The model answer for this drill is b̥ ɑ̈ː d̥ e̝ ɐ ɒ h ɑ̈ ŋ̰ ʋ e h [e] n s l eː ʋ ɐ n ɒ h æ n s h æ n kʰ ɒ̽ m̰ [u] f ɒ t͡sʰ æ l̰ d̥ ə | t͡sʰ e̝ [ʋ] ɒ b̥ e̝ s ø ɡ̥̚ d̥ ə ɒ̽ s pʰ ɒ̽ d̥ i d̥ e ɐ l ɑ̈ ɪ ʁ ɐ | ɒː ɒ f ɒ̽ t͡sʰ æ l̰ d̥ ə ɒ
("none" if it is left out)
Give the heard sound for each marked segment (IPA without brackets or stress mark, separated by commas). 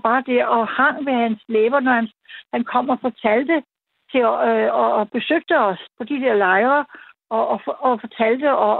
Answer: æ, ɒ, none